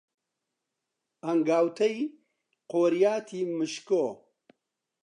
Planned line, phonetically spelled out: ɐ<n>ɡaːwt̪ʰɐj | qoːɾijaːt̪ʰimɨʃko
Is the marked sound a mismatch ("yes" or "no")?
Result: yes